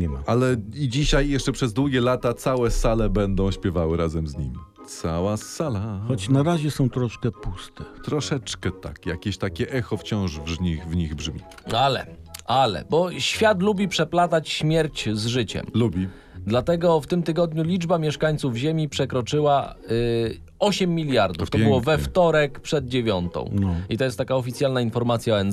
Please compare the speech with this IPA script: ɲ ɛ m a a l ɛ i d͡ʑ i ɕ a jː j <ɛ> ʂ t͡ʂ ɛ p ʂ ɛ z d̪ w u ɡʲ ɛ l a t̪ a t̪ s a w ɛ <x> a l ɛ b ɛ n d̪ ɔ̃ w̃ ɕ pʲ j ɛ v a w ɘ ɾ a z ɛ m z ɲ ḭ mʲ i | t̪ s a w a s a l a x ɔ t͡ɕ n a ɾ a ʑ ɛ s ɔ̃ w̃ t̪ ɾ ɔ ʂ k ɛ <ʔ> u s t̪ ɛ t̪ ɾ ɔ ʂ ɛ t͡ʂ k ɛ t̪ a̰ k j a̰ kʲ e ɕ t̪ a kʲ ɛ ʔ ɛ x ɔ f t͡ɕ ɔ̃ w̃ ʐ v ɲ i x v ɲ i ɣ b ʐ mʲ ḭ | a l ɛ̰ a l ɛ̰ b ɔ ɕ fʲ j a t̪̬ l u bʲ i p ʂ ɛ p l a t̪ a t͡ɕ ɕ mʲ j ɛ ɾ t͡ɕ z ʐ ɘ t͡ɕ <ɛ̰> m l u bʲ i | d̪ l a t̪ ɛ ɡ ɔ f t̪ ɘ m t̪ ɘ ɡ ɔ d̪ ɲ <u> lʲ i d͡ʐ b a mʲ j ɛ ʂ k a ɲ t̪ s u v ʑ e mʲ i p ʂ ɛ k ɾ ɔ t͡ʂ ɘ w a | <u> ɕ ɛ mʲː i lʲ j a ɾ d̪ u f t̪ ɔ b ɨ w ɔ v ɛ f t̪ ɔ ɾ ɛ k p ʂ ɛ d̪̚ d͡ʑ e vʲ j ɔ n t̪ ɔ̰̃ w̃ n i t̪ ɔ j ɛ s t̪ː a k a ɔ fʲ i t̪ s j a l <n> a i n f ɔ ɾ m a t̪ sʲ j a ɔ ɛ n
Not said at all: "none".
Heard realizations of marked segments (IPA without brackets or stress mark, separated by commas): ɛ, s, p, ɛ̰, u, ɔ, n